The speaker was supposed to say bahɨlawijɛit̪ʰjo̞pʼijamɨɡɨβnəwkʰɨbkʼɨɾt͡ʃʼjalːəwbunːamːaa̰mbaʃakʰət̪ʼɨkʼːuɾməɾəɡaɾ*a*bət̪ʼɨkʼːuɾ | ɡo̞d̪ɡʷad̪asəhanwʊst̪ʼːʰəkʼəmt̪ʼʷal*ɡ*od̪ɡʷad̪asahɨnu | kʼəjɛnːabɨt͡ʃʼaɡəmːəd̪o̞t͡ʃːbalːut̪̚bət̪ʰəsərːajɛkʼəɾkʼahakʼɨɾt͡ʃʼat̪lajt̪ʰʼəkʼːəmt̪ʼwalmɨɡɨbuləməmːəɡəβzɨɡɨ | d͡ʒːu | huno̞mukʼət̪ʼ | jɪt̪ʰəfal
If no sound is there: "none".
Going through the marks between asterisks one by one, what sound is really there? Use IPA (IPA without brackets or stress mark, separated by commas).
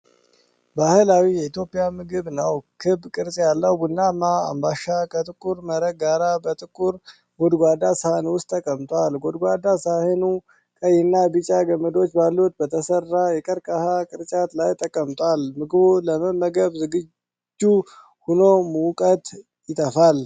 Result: a, ɡ